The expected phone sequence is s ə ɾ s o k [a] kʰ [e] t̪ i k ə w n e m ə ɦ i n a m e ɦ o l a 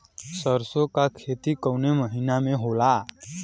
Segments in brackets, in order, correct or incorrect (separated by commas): correct, correct